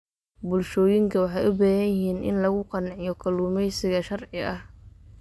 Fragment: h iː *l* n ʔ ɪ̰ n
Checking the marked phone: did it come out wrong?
yes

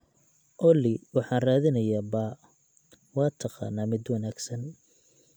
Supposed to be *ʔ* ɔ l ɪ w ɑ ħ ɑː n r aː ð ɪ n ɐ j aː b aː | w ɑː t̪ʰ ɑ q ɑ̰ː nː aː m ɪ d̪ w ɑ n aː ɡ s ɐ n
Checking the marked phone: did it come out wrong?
no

